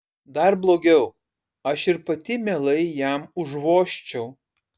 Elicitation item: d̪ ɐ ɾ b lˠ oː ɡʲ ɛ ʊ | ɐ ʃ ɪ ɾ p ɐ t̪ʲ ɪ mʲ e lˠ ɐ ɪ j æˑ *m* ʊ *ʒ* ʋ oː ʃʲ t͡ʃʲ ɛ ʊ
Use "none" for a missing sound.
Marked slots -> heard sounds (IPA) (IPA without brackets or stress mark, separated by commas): m, ʒ